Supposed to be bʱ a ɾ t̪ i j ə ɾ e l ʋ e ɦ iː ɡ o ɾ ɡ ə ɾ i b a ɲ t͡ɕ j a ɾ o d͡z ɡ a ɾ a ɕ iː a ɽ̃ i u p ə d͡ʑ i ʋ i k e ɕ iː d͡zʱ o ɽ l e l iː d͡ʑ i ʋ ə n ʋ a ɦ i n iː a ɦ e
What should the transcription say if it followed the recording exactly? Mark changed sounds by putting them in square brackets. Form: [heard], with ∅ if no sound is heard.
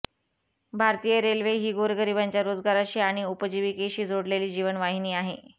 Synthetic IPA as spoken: bʱ a ɾ t̪ i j ə ɾ e l ʋ e ɦ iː ɡ o ɾ ɡ ə ɾ i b a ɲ t͡ɕ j a ɾ o d͡z ɡ a ɾ a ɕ iː a ɽ̃ i u p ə d͡ʑ i ʋ i k e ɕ iː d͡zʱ o ɽ l e l iː d͡ʑ i ʋ ə n ʋ a ɦ i n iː a ɦ e